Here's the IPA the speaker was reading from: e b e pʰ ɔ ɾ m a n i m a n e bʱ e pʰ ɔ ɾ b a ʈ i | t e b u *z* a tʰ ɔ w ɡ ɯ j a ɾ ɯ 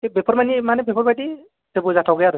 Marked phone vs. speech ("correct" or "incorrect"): correct